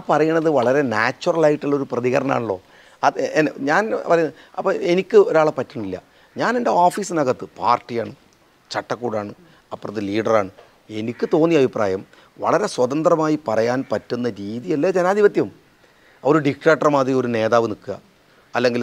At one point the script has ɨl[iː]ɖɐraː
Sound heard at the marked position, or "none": iː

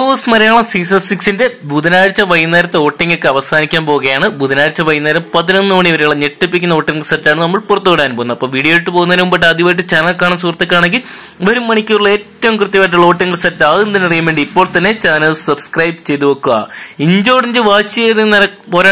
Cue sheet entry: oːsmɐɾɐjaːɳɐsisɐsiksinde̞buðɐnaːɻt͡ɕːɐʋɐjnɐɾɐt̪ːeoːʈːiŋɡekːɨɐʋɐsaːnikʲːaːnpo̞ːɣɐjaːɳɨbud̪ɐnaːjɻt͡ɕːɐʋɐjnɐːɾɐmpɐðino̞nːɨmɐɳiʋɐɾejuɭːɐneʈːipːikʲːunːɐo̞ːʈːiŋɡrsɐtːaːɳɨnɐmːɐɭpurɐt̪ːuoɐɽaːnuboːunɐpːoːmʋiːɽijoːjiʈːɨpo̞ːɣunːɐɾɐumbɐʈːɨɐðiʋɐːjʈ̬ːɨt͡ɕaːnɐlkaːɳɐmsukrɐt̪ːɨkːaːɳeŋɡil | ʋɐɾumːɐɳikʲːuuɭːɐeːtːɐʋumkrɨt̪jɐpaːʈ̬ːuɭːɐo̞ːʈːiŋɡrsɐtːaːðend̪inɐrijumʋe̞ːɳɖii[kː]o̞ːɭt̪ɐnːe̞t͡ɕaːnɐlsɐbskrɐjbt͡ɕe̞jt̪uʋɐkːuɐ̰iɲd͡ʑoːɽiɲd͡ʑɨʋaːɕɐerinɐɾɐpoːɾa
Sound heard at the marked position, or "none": pː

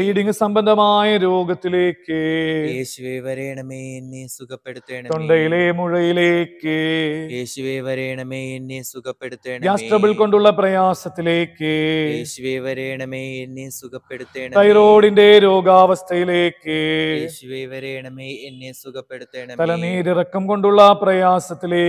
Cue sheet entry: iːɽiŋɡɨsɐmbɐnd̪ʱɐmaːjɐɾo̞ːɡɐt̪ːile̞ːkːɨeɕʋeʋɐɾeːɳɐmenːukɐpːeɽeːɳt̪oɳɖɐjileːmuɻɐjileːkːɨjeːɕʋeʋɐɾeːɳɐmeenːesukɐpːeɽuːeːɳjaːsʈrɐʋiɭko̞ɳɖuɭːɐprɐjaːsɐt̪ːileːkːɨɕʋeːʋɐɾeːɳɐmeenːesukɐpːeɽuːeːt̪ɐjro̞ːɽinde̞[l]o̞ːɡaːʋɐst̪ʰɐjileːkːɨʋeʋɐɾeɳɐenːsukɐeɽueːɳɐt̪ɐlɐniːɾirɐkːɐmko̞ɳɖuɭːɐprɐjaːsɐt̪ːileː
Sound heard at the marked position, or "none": ɾ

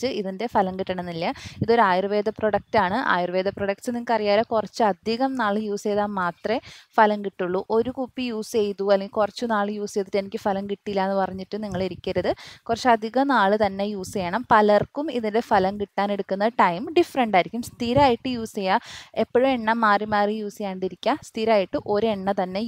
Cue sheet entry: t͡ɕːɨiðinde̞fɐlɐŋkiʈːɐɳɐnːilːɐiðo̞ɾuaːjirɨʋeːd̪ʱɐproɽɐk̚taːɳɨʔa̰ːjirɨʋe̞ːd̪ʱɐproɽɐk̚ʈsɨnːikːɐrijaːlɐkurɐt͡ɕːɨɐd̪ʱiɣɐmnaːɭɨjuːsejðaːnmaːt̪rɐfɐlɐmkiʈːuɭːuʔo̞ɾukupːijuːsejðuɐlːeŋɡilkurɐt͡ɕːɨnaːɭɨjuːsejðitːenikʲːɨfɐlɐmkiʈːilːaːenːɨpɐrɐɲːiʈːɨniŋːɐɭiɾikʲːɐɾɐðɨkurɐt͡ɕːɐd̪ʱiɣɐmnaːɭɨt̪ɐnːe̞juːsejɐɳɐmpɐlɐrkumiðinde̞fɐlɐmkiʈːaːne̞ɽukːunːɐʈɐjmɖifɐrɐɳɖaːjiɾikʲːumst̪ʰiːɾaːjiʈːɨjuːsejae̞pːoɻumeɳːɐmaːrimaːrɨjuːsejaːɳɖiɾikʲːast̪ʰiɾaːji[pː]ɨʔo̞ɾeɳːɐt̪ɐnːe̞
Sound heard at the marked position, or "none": ʈː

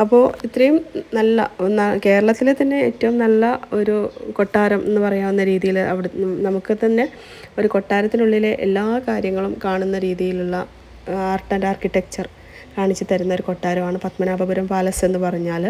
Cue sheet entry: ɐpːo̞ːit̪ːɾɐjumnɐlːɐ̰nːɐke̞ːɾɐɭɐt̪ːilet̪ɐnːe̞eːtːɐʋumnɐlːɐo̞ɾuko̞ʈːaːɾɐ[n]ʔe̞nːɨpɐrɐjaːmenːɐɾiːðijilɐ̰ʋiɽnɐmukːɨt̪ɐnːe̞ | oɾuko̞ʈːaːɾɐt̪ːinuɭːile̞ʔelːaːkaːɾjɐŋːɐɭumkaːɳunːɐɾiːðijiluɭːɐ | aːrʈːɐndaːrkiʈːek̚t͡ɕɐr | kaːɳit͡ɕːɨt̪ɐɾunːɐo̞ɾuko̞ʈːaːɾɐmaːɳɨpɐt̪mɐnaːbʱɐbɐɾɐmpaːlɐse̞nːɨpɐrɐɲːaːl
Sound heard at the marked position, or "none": m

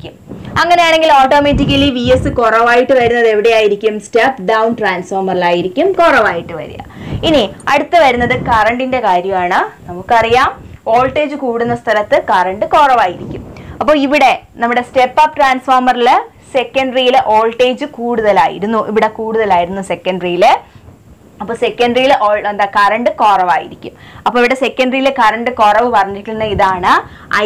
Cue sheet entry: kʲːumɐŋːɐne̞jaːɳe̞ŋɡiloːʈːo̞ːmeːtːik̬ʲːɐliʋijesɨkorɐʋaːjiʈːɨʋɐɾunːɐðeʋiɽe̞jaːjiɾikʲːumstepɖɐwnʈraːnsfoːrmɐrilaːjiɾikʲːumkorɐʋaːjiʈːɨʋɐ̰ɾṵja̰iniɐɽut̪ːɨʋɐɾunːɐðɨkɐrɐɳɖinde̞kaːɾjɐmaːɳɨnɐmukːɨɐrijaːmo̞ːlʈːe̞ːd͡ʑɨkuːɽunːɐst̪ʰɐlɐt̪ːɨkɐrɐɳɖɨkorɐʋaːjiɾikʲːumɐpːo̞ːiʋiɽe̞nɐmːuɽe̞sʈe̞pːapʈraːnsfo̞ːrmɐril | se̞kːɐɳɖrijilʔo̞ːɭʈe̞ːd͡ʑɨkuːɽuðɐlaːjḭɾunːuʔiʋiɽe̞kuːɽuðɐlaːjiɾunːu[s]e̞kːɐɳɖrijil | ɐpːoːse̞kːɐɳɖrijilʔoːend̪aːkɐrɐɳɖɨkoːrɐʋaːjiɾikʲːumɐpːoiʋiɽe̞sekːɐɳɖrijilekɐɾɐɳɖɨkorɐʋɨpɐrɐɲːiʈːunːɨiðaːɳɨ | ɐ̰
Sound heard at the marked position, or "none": s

